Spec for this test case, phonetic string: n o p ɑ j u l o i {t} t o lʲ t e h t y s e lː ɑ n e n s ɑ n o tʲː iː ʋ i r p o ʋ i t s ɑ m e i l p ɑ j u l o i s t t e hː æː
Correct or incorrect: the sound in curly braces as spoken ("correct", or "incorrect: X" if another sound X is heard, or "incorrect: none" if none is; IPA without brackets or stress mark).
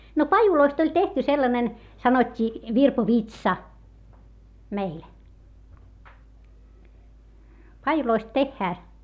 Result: incorrect: s